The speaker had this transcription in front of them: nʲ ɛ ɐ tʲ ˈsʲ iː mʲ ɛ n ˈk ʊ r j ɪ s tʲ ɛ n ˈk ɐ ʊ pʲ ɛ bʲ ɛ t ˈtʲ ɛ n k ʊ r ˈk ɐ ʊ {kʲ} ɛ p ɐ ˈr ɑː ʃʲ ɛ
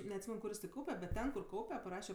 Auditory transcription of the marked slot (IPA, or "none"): pʲ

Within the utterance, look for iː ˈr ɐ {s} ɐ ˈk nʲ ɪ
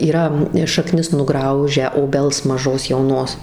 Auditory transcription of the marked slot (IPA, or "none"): ʃ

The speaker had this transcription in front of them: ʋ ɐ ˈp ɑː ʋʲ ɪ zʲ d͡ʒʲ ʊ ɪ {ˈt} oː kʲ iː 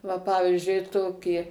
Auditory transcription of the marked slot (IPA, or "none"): t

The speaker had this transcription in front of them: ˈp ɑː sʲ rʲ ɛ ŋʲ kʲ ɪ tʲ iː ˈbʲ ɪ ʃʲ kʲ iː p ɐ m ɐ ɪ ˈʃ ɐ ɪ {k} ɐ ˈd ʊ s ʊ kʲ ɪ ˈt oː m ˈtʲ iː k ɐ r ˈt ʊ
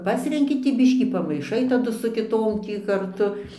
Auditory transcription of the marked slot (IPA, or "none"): t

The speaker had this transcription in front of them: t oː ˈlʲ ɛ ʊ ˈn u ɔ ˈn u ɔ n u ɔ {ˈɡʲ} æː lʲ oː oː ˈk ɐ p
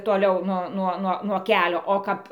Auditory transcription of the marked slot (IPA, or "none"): kʲ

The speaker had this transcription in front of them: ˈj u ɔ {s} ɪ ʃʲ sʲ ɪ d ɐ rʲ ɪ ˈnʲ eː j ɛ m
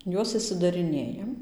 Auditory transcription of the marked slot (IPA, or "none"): s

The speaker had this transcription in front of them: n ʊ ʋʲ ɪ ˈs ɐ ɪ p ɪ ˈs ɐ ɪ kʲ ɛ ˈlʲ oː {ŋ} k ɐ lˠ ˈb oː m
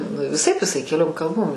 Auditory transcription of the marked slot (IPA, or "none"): m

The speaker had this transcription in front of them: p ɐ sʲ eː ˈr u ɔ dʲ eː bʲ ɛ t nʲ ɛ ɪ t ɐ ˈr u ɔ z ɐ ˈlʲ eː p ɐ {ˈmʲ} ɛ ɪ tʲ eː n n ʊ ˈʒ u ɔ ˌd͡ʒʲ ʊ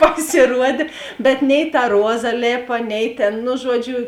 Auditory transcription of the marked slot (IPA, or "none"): nʲ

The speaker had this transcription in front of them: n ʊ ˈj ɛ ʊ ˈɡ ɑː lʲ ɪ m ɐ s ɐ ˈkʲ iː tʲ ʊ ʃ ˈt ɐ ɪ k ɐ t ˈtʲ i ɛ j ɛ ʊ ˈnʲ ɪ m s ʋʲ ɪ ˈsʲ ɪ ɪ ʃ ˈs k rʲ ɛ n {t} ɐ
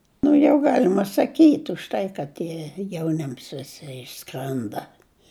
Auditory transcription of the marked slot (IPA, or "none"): d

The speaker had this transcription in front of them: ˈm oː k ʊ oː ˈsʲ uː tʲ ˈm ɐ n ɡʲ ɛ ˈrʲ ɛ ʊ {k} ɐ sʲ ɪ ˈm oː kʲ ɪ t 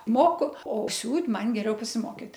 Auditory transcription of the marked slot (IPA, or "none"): p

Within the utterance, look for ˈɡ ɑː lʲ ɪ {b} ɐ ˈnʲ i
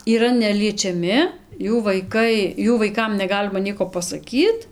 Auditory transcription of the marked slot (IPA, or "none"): m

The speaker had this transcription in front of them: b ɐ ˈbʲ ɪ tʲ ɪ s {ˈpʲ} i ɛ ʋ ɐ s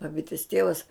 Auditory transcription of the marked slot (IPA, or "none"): tʲ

